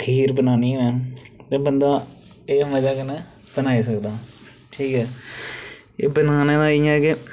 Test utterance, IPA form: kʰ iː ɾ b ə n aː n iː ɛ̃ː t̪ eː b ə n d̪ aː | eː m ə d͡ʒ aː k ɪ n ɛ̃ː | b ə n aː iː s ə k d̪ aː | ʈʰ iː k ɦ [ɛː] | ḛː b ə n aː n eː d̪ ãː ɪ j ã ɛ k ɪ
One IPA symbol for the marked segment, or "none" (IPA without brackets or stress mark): ɛː